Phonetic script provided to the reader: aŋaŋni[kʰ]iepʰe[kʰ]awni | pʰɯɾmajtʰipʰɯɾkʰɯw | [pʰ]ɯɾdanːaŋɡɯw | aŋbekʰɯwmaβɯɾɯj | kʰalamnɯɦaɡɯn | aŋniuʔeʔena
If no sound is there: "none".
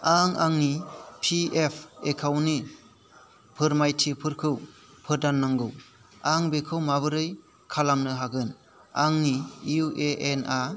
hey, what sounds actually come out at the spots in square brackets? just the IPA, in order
pʰ, kʰ, pʰ

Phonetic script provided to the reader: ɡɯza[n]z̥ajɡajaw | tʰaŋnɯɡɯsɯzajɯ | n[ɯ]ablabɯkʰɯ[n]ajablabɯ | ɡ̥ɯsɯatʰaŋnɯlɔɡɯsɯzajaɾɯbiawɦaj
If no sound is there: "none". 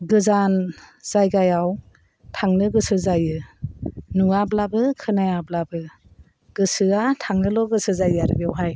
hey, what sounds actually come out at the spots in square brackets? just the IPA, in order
n, u, n

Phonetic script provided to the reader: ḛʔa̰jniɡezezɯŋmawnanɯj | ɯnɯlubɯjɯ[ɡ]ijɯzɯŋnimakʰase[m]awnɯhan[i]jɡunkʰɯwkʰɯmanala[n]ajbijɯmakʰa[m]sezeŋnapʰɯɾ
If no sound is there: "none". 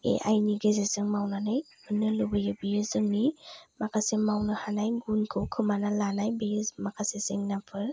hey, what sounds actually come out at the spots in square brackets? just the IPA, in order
b, m, a, n, none

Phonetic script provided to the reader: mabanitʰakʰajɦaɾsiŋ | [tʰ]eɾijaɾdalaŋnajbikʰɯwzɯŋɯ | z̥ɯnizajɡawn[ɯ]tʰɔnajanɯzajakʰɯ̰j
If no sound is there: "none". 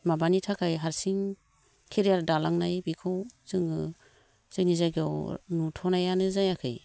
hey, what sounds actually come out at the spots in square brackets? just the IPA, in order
kʰ, u

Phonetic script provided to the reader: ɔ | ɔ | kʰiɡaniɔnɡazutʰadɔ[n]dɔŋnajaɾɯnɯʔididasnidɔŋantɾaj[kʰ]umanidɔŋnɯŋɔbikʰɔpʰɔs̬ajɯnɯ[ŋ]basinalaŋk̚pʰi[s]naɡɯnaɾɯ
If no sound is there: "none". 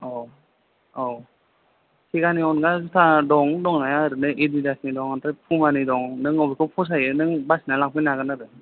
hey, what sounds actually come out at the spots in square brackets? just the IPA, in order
ŋ, pʰ, ŋ, none

